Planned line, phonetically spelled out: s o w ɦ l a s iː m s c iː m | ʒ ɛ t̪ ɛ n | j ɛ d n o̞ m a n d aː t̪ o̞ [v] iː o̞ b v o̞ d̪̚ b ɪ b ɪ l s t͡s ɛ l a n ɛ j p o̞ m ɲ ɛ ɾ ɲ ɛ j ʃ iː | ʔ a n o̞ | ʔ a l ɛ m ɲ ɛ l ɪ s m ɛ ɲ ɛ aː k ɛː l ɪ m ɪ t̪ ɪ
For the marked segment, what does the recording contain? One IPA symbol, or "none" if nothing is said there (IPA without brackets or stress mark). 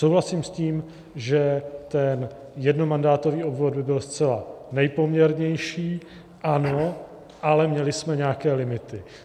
v